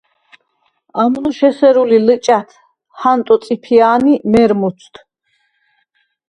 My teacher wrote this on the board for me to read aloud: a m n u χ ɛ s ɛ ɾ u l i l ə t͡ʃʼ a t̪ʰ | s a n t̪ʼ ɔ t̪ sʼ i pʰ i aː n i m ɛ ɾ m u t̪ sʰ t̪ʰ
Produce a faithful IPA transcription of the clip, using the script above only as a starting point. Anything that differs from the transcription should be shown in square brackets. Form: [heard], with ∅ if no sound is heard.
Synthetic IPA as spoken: a m n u [ʃ] ɛ s ɛ ɾ u l i l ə t͡ʃʼ a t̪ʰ | [h] a n t̪ʼ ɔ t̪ sʼ i pʰ i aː n i m ɛ ɾ m u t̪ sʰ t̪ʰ